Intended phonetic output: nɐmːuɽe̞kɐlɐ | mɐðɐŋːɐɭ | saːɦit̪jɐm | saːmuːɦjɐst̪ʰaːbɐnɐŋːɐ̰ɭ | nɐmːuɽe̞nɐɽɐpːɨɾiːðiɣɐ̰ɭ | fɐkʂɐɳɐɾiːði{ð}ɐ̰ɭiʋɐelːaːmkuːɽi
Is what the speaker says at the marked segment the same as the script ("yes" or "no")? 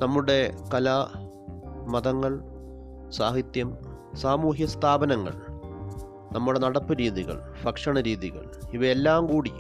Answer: no